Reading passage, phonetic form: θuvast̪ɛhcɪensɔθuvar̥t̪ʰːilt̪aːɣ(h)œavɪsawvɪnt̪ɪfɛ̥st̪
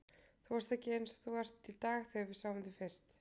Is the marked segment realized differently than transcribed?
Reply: yes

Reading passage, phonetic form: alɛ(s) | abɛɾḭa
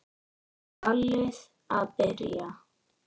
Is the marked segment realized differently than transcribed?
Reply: no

